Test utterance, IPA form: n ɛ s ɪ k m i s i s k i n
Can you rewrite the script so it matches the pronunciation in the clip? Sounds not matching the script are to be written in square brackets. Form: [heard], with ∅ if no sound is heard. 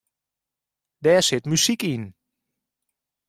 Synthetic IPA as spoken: [d] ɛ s ɪ [t] m [y] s i [∅] k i n